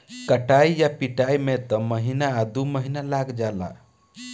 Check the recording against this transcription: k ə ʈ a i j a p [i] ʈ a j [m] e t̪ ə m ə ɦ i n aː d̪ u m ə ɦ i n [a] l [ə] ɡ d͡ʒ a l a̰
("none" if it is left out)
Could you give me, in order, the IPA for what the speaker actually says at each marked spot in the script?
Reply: i, m, a, a

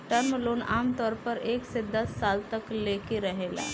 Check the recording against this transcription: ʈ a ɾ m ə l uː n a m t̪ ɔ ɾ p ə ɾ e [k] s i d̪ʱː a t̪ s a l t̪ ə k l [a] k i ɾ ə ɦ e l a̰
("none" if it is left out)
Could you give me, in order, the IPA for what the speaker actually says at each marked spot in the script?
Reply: k, e

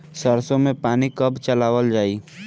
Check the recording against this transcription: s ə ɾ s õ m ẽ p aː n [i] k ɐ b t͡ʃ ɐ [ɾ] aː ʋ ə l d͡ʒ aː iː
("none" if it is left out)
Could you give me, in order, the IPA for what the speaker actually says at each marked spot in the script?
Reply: i, l

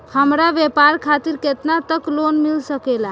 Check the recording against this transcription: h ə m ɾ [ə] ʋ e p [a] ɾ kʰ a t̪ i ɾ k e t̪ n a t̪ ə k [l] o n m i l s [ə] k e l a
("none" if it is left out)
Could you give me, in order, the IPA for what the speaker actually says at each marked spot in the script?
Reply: a, a, l, ə

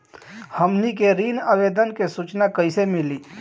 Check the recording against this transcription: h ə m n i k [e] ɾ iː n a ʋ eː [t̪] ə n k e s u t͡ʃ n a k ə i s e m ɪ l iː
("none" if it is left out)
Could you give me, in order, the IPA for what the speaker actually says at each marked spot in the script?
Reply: e, d̪

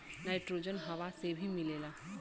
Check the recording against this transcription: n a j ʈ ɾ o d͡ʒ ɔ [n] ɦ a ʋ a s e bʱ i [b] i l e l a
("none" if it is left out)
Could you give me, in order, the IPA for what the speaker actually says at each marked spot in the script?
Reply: n, m

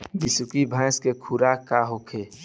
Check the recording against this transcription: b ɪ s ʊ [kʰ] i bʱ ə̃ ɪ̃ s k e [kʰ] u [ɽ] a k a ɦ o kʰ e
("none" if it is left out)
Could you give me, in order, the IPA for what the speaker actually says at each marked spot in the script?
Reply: k, kʰ, ɾ

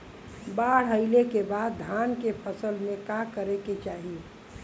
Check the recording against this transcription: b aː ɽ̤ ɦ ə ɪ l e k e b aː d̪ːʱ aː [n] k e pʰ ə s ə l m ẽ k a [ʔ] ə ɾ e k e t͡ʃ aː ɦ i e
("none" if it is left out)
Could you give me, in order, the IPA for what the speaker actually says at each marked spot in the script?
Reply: n, k

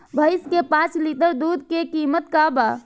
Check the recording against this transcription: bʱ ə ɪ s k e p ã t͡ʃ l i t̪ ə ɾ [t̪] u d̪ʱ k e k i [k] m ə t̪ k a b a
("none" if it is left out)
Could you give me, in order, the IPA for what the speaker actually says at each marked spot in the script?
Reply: d̪, none

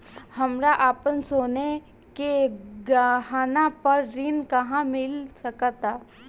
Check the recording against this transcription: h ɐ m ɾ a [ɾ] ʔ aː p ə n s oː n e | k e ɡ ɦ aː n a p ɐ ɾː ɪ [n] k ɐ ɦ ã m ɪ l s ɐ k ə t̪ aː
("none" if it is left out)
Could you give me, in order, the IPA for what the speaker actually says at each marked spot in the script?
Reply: none, n

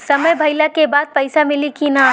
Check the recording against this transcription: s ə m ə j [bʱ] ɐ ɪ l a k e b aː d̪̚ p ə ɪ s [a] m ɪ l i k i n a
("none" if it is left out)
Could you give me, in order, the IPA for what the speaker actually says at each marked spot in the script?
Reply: bʱ, a

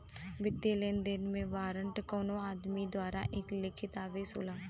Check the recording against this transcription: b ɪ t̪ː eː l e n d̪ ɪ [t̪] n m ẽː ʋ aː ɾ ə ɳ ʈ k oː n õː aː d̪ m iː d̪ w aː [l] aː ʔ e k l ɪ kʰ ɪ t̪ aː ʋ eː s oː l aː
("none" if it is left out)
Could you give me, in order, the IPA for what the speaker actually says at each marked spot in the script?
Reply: none, ɾ

